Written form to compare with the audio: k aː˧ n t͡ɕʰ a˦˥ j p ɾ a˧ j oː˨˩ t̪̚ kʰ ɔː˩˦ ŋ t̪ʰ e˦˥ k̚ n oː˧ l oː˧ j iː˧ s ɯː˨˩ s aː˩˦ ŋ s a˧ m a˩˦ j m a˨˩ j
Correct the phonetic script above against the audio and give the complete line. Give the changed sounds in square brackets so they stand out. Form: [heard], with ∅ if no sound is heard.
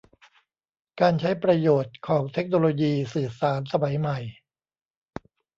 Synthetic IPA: k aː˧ n t͡ɕʰ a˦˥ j p ɾ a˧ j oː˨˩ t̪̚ kʰ ɔː˩˦ ŋ t̪ʰ e˦˥ k̚ n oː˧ l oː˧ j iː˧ s ɯː˨˩ s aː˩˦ [n] s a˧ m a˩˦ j m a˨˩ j